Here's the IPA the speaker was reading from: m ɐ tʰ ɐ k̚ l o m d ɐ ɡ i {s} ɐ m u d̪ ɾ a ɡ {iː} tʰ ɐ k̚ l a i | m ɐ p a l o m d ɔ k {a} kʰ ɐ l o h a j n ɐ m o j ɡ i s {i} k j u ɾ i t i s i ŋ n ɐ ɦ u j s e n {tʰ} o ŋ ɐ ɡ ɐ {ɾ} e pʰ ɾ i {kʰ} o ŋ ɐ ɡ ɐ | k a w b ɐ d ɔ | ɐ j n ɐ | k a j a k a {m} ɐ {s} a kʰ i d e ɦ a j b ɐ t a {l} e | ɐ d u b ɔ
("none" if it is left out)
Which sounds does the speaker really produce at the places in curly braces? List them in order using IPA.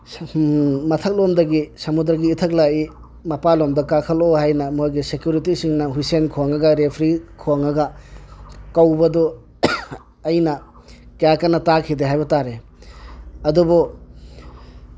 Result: s, iː, a, e, kʰ, ɾ, kʰ, n, t, ɾ

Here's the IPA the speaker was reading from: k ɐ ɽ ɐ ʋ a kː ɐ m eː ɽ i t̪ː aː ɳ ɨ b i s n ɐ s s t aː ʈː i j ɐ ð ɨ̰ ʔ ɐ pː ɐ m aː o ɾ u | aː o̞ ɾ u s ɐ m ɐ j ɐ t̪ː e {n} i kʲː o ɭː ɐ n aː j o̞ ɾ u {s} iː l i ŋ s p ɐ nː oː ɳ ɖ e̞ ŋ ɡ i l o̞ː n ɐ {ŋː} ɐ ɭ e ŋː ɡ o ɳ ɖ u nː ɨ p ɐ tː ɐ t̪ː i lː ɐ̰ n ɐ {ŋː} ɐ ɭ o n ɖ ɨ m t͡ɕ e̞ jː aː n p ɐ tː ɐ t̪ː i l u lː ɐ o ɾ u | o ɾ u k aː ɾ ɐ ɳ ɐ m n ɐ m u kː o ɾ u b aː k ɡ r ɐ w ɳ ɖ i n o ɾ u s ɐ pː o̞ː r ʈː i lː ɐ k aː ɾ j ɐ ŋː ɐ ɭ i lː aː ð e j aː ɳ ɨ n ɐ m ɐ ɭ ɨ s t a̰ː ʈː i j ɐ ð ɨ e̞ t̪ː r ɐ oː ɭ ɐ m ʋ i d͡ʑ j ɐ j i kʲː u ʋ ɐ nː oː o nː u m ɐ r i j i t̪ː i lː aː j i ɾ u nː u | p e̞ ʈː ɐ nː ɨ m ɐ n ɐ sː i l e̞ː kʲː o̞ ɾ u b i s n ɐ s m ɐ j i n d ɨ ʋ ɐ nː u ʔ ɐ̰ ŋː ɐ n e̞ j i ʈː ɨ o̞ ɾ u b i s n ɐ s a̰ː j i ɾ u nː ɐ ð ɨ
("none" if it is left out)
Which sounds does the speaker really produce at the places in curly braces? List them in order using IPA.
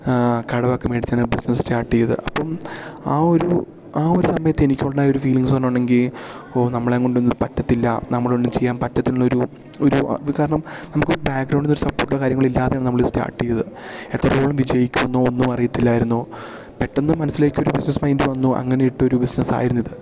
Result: n, f, mː, mː

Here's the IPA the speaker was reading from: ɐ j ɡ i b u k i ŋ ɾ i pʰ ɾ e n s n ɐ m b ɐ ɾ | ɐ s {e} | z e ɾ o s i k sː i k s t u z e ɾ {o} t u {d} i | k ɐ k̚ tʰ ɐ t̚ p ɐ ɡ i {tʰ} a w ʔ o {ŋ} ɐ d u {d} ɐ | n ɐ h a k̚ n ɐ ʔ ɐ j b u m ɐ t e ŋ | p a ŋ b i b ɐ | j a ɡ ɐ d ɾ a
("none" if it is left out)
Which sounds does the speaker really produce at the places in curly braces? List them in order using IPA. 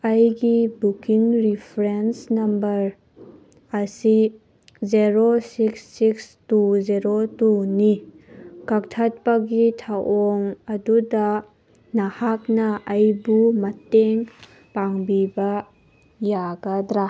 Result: i, o, n, tʰ, ŋ, d

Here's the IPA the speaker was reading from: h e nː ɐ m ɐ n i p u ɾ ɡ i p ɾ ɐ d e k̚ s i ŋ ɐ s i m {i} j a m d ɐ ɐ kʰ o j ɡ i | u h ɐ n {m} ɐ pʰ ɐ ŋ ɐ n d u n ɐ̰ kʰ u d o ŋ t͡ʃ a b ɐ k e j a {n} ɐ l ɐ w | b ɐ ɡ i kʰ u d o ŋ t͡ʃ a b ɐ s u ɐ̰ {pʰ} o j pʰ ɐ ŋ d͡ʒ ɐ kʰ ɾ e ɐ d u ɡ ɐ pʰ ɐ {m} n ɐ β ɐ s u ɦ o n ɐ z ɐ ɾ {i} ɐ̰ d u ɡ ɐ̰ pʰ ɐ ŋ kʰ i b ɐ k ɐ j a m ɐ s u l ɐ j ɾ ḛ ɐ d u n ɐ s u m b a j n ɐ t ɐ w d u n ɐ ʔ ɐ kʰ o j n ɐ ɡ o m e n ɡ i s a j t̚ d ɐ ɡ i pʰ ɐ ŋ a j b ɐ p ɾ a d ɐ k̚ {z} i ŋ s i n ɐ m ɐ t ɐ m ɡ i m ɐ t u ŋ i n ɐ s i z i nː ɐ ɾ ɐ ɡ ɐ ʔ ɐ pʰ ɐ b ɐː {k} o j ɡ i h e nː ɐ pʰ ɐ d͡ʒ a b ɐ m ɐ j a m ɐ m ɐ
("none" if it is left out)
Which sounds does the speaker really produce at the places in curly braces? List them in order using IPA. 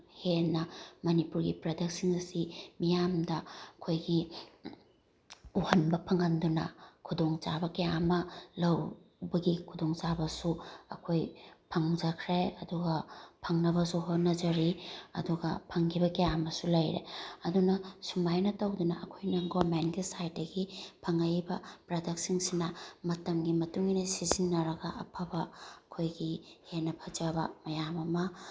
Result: i, b, m, kʰ, ŋ, i, s, kʰ

